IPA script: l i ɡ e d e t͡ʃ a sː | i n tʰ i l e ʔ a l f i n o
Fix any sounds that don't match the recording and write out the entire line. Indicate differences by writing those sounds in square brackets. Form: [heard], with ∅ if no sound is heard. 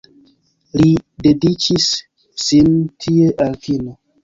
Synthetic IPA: l i [d] e d [i] t͡ʃ [i] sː | i n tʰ i [∅] e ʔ a l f i n o